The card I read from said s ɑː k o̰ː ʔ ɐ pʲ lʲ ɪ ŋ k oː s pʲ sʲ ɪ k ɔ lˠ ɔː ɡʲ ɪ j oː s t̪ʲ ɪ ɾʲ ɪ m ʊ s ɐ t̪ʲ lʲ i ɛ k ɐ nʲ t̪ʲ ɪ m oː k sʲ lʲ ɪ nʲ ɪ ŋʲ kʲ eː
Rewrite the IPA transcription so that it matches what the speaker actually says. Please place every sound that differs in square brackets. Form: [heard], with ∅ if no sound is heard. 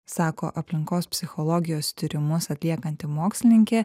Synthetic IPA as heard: s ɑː k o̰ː ʔ ɐ pʲ lʲ ɪ ŋ k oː s pʲ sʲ ɪ [x] ɔ lˠ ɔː ɡʲ ɪ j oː s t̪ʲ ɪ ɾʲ ɪ m ʊ s ɐ t̪ʲ lʲ i ɛ k ɐ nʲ t̪ʲ ɪ m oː k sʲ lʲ ɪ nʲ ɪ ŋʲ kʲ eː